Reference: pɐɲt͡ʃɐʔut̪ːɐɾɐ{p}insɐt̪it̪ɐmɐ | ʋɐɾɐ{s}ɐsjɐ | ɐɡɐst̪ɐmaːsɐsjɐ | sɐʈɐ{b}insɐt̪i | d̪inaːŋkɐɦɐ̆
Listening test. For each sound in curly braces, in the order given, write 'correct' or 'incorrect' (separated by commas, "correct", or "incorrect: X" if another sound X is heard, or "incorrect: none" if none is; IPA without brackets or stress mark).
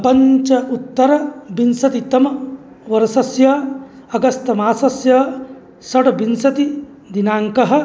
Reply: incorrect: b, correct, correct